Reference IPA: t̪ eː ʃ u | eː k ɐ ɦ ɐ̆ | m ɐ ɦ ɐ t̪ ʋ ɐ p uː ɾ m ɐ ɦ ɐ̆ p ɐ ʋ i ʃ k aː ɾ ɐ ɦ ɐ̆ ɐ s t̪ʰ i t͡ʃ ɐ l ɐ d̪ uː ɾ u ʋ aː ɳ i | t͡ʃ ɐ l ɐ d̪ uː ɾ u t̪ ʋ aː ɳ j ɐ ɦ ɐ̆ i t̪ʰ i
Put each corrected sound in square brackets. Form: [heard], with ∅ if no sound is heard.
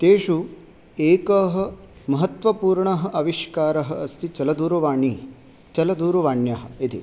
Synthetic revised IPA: t̪ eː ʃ u | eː k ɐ ɦ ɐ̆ | m ɐ ɦ ɐ t̪ ʋ ɐ p uː ɾ [ɳ] ɐ ɦ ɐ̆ [ʔ] ɐ ʋ i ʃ k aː ɾ ɐ ɦ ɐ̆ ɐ s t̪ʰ i t͡ʃ ɐ l ɐ d̪ uː ɾ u ʋ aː ɳ i | t͡ʃ ɐ l ɐ d̪ uː ɾ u [∅] ʋ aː ɳ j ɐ ɦ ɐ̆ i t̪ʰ i